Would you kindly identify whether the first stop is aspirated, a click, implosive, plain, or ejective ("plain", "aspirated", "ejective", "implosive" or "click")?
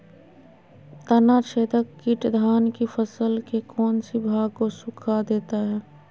plain